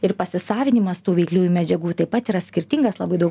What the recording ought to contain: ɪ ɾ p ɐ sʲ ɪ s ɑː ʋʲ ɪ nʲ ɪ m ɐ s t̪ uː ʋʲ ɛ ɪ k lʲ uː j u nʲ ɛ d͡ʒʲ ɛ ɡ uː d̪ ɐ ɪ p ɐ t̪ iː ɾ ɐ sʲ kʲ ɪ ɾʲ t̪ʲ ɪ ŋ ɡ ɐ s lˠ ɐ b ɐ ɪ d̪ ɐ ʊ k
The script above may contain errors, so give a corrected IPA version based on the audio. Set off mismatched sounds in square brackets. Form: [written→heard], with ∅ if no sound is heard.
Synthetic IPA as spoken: ɪ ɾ p ɐ sʲ ɪ s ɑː ʋʲ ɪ nʲ ɪ m ɐ s t̪ uː ʋʲ ɛ ɪ k lʲ uː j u [nʲ→mʲ] ɛ d͡ʒʲ ɛ ɡ uː [d̪→t̪] ɐ ɪ p ɐ t̪ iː ɾ ɐ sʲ kʲ ɪ ɾʲ t̪ʲ ɪ ŋ ɡ ɐ s lˠ ɐ b ɐ ɪ d̪ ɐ ʊ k